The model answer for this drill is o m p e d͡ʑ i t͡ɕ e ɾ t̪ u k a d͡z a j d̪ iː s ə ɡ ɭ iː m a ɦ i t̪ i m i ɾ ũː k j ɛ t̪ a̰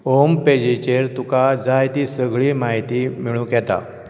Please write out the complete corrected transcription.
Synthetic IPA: o m p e d͡ʑ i t͡ɕ e ɾ t̪ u k a d͡z a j t̪ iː s ə ɡ ɭ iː m a ɦ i t̪ i m i ɭ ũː k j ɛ t̪ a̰